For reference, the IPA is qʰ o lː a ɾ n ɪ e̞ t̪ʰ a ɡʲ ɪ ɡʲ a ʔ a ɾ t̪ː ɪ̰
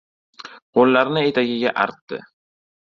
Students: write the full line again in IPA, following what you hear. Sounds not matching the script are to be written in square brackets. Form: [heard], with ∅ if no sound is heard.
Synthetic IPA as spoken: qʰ o lː a ɾ n ɪ e̞ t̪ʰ a ɡʲ ɪ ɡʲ a ʔ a ɾ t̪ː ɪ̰